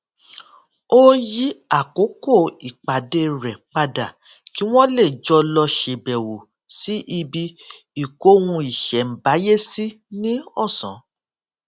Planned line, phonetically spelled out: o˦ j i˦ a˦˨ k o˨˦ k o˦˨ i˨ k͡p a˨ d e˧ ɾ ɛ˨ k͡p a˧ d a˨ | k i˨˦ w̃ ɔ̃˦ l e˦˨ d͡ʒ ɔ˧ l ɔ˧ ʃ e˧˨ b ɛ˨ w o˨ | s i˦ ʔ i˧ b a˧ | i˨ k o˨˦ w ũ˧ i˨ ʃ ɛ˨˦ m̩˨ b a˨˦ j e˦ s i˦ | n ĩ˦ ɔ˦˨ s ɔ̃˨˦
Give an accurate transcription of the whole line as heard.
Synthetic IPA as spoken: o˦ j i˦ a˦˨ k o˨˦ k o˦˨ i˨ k͡p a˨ d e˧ ɾ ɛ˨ k͡p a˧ d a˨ | k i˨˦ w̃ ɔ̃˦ l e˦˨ d͡ʒ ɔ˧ l ɔ˧ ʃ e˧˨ b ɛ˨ w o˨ | s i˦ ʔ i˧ b i˧ | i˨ k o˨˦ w ũ˧ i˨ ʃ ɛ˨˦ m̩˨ b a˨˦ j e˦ s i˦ | n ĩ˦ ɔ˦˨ s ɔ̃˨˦